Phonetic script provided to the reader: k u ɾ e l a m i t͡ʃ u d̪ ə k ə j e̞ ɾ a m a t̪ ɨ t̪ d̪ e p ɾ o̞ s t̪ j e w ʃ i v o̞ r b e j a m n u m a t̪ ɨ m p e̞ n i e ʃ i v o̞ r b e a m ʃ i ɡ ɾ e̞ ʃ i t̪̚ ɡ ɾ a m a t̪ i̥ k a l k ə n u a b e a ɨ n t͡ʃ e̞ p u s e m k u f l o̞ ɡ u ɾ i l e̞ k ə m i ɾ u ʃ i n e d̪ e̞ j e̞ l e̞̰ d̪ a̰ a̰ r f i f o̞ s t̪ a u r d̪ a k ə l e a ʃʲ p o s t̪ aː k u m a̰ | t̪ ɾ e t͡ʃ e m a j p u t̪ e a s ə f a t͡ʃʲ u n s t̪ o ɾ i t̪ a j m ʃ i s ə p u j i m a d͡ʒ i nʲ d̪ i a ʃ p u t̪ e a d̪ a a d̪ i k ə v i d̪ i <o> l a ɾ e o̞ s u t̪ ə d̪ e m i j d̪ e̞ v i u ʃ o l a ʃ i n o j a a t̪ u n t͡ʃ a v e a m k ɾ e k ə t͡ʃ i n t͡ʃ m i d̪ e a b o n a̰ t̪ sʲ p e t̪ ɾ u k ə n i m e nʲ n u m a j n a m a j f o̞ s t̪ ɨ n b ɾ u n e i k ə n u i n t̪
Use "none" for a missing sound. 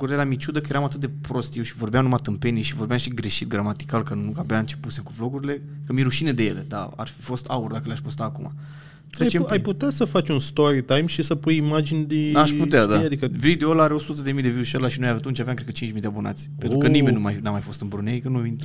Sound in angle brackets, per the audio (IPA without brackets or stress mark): o